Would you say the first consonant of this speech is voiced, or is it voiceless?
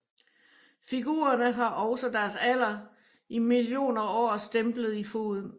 voiceless